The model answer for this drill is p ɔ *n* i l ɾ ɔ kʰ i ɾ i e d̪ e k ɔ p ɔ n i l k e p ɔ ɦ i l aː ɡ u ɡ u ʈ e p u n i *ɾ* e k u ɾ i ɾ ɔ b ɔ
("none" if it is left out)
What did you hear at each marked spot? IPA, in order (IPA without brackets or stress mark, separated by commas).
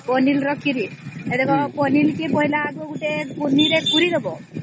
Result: n, ɾ